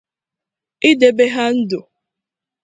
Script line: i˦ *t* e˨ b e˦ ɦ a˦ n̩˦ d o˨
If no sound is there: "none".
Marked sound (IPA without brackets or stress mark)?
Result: d